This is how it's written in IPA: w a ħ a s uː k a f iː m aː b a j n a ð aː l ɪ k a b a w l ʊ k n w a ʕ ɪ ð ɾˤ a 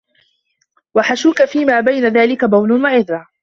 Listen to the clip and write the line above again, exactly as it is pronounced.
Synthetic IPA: w a ħ a ʃ uː k a f iː m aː b a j n a ð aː l ɪ k a b a w l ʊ n w a ʕ ɪ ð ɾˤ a